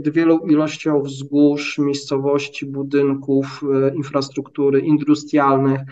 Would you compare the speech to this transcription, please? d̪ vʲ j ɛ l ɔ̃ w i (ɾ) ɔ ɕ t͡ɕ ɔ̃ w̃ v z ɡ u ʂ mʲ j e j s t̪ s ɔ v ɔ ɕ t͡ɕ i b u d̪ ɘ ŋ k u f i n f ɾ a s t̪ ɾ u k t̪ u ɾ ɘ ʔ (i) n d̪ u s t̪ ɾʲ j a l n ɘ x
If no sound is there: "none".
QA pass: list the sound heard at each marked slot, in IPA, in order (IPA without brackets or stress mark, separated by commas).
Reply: l, i